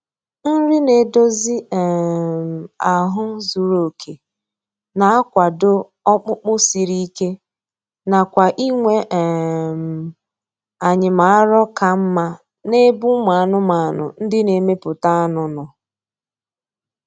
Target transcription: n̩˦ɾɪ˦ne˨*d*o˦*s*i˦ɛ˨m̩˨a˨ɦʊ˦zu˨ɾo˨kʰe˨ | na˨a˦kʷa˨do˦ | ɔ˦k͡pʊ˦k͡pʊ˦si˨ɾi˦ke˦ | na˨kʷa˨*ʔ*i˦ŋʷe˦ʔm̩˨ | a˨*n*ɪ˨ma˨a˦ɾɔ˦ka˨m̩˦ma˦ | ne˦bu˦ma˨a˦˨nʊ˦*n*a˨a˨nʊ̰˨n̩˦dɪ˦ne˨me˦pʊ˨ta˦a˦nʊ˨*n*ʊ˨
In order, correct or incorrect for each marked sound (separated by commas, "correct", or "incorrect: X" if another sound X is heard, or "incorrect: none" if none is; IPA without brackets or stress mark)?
correct, incorrect: z, correct, incorrect: ɲ, incorrect: m, correct